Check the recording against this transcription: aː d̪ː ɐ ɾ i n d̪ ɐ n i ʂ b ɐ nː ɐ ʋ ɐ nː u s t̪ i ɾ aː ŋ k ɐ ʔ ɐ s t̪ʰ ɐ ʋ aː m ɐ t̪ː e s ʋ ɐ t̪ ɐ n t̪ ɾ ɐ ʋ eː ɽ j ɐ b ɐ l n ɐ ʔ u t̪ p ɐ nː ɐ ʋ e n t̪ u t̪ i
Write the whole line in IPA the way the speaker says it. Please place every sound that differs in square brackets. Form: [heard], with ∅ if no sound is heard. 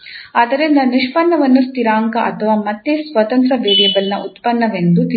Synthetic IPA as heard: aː [d̪] ɐ ɾ i n d̪ ɐ n i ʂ [p] ɐ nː ɐ ʋ ɐ nː u s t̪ i ɾ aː ŋ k ɐ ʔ ɐ [∅] t̪ʰ ɐ ʋ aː m ɐ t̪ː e s ʋ ɐ t̪ ɐ n t̪ ɾ ɐ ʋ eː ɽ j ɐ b ɐ l n ɐ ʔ u t̪ p ɐ nː ɐ ʋ e n [d̪] u t̪ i